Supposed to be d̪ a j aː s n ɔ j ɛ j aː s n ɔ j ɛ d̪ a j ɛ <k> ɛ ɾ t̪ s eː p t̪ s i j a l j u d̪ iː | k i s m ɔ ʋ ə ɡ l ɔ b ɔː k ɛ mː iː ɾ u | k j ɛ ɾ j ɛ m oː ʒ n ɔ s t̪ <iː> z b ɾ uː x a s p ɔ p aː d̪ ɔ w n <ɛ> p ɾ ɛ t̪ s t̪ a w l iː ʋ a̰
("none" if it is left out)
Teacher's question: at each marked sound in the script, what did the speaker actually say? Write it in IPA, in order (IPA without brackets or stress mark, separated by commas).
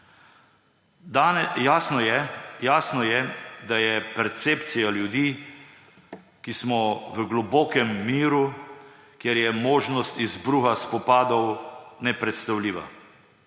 p, i, ɛ